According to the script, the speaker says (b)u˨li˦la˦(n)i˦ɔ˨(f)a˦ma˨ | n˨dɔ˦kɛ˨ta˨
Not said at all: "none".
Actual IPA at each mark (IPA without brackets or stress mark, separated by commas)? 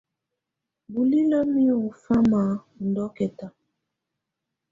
b, m, f